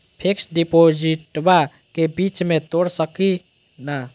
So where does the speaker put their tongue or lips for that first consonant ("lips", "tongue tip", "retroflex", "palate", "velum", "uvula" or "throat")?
lips